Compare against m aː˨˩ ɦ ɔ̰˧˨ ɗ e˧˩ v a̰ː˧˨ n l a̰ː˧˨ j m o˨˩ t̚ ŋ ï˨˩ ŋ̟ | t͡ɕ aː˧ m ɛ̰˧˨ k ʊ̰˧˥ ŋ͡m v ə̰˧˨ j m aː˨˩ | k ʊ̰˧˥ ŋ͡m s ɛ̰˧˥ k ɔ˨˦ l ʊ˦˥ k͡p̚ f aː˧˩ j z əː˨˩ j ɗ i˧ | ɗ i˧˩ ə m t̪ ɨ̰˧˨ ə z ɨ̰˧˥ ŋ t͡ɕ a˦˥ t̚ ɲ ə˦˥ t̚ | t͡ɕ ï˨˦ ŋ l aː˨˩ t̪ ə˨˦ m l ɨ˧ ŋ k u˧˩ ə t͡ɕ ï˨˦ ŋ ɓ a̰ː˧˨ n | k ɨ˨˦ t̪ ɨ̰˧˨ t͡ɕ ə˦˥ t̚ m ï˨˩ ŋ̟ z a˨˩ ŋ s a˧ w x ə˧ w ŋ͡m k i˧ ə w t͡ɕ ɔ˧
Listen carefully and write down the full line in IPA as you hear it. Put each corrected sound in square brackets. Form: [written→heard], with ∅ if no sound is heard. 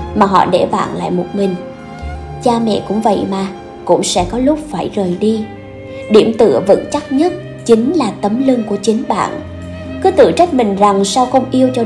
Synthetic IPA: m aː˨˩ ɦ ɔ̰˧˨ ɗ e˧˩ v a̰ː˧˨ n l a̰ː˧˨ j m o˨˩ t̚ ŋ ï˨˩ ŋ̟ | t͡ɕ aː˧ m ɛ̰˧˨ k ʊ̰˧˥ ŋ͡m v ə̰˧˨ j m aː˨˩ | k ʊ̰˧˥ ŋ͡m s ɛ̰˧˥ k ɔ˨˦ l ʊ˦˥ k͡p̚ f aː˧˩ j z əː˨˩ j ɗ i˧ | ɗ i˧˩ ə m t̪ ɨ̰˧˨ ə [z→v] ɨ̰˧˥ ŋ t͡ɕ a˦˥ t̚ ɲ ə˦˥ t̚ | t͡ɕ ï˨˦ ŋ l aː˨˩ t̪ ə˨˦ m l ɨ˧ ŋ k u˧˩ ə t͡ɕ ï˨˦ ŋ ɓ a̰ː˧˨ n | k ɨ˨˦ t̪ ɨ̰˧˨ t͡ɕ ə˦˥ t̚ m ï˨˩ ŋ̟ z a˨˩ ŋ s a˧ w x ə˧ w ŋ͡m [k→ʔ] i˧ ə w t͡ɕ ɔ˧